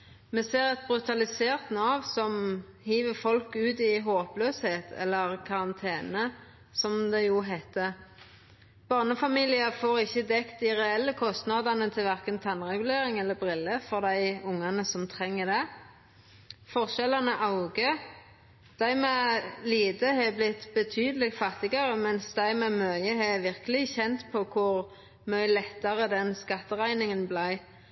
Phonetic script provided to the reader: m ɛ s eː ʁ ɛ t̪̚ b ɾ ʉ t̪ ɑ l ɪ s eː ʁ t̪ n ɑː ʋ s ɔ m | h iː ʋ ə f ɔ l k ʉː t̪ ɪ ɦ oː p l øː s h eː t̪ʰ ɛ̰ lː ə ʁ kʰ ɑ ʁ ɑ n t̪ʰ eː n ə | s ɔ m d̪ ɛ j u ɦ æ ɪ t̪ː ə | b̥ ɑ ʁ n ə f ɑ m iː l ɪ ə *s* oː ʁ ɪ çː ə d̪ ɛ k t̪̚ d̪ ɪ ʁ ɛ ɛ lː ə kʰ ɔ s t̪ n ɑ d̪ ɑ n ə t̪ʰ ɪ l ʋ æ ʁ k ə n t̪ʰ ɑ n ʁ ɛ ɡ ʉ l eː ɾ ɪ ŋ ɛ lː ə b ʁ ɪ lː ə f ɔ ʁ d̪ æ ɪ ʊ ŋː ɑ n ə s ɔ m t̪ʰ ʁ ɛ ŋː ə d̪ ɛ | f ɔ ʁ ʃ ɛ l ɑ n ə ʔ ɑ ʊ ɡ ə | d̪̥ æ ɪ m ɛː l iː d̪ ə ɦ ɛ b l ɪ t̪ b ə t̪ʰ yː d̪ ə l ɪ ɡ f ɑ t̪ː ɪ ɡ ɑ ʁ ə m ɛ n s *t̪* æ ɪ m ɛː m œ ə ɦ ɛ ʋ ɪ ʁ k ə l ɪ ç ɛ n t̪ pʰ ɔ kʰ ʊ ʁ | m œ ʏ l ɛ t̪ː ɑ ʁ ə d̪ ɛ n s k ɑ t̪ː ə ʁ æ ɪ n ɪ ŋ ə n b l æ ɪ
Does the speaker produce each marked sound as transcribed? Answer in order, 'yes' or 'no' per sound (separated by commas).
no, no